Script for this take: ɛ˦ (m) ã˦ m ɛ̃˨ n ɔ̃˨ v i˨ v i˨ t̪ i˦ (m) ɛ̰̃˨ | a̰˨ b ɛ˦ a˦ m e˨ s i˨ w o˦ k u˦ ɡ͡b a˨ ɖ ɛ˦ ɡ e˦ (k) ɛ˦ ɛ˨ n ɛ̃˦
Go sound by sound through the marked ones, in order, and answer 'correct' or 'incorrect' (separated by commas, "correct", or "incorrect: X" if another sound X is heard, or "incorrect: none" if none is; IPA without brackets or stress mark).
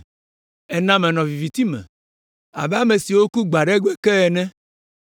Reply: incorrect: n, correct, correct